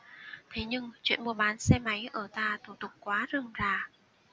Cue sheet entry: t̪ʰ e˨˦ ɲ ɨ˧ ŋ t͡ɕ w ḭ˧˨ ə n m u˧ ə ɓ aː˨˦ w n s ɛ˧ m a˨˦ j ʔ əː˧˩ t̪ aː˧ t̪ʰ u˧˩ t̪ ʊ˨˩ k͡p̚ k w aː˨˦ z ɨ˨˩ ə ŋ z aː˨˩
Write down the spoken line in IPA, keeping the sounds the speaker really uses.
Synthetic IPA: t̪ʰ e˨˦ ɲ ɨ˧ ŋ t͡ɕ w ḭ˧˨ ə n m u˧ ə ɓ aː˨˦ n s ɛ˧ m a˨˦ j ʔ əː˧˩ t̪ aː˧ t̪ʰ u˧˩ t̪ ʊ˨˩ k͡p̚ k w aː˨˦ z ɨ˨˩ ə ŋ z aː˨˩